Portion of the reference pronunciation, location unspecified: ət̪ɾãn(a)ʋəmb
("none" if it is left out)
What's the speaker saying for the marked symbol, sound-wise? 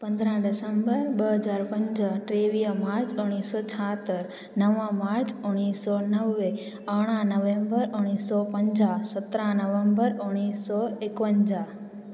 ə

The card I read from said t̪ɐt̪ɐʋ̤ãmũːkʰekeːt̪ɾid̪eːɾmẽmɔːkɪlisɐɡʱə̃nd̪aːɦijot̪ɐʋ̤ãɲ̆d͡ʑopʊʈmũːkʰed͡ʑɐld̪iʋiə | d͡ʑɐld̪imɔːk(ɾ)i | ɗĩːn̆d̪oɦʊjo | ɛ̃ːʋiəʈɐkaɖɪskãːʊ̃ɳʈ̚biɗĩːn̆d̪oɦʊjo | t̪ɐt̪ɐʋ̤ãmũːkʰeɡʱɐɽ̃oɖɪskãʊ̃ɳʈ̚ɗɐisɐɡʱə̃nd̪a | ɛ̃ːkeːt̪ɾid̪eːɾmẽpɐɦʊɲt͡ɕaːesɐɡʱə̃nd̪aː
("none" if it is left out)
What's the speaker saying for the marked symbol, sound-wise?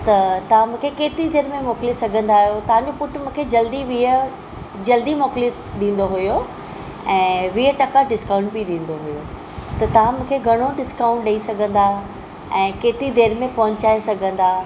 l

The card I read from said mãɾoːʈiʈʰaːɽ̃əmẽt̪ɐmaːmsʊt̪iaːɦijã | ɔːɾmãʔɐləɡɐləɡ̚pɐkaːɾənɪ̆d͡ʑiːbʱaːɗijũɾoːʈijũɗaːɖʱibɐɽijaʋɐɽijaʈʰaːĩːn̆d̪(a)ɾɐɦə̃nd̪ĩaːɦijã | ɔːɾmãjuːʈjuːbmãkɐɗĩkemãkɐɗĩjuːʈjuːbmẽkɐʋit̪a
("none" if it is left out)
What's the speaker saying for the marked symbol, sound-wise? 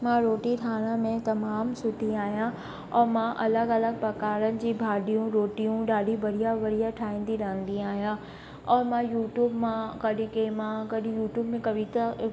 i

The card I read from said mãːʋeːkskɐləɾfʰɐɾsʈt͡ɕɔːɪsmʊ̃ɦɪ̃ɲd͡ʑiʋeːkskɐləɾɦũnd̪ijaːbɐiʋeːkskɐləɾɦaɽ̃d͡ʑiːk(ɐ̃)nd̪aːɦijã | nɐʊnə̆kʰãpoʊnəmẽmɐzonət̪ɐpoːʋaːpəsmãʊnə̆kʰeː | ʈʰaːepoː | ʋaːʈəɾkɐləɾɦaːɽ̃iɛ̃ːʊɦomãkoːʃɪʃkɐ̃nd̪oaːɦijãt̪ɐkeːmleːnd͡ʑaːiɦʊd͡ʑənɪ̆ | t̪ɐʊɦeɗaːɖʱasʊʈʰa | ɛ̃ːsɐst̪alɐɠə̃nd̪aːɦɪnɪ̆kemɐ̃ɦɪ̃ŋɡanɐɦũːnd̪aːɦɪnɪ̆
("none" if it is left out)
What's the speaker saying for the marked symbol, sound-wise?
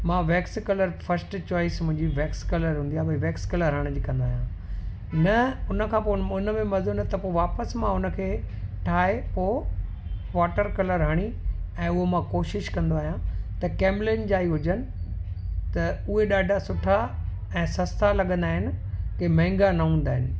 ɐ̃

